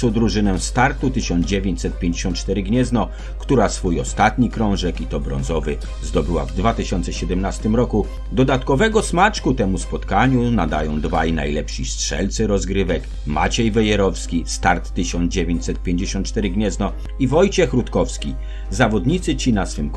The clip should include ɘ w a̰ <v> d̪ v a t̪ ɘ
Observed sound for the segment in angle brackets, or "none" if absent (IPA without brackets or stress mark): v